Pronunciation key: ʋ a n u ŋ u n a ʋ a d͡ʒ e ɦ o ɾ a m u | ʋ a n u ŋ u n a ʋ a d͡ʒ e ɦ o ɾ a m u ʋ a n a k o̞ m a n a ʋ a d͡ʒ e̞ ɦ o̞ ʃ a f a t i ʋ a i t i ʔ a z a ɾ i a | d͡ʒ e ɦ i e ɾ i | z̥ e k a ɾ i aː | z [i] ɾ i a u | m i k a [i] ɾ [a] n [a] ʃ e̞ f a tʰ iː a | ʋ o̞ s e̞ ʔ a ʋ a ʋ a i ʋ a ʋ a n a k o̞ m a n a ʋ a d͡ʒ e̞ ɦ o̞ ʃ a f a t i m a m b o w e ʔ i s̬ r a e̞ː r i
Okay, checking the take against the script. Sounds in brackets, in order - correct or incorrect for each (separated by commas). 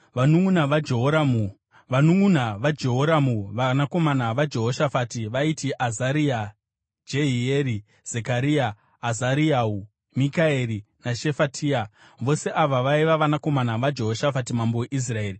incorrect, incorrect, incorrect, correct